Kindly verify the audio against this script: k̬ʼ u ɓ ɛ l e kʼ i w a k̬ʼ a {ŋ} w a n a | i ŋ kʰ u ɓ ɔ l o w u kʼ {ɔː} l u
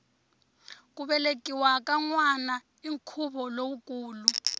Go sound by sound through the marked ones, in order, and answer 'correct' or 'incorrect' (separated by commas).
correct, incorrect